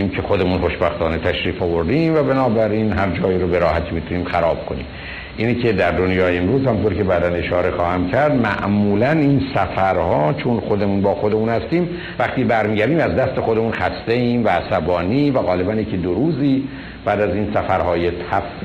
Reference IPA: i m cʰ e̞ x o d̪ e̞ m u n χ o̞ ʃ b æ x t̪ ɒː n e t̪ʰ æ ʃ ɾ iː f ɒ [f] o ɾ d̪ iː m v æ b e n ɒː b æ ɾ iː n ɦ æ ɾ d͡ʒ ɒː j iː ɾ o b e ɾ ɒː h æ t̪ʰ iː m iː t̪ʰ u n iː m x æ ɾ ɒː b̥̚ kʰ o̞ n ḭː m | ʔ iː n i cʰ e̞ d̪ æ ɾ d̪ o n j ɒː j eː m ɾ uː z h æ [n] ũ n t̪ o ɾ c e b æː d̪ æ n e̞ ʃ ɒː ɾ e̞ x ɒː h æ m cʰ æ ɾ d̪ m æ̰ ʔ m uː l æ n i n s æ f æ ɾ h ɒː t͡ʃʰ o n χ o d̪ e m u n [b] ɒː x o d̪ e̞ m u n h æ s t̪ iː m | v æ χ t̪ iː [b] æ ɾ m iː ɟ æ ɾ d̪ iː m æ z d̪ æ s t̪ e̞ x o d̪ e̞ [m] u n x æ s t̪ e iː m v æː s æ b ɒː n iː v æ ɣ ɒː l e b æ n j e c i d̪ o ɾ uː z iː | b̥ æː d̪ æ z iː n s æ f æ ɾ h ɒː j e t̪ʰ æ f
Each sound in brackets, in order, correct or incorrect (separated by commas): incorrect, incorrect, correct, correct, correct